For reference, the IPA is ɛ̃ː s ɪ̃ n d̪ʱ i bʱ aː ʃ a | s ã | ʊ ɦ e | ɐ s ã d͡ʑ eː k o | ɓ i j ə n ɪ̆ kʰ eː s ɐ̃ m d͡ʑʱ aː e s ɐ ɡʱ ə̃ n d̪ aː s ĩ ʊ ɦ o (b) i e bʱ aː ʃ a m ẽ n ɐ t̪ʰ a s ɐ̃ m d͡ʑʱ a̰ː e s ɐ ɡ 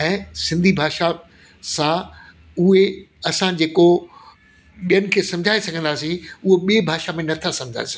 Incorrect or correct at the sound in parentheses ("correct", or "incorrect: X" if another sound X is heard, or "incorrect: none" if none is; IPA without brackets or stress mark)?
incorrect: ɓ